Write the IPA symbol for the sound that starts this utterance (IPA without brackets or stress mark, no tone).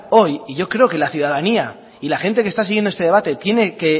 o̞